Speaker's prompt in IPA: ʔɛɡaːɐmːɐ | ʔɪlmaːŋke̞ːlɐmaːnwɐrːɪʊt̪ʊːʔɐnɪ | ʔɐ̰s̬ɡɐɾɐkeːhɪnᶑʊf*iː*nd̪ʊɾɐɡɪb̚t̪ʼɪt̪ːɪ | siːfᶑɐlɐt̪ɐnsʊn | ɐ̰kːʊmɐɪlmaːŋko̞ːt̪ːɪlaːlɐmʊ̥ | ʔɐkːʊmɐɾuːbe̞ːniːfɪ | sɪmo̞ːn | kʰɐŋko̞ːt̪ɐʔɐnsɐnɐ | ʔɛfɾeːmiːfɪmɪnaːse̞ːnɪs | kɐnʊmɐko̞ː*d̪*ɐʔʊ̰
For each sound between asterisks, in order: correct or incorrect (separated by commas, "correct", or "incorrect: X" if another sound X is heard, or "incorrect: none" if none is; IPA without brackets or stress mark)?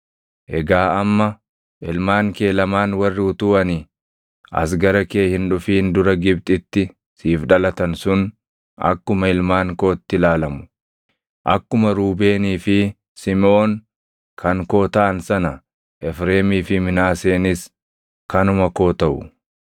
correct, incorrect: t̪